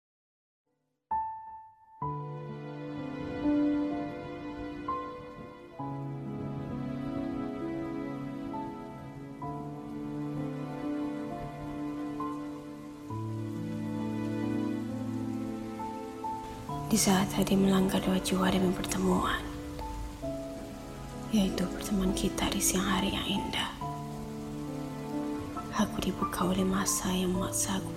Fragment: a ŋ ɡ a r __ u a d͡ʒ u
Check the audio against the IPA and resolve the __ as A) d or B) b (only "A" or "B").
A